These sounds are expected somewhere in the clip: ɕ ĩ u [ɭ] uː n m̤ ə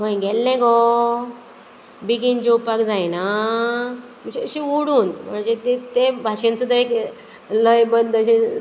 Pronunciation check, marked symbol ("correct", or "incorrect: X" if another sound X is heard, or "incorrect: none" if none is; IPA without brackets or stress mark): incorrect: ɽ